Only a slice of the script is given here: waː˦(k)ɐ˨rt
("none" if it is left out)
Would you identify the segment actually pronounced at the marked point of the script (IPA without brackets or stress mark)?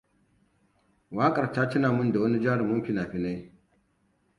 kʼ